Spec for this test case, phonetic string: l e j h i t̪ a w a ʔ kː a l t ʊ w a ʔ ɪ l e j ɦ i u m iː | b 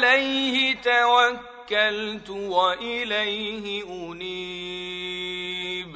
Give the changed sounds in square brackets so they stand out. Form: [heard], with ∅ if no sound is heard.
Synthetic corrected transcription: l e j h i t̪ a w a [k] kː a l t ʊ w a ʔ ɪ l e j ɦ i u [n] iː | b